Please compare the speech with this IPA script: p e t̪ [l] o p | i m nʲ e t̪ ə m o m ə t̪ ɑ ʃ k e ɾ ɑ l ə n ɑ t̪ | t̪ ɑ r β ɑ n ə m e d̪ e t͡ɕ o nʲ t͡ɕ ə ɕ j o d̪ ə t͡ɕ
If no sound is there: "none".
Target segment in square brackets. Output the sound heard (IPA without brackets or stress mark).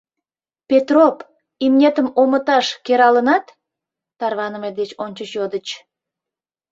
r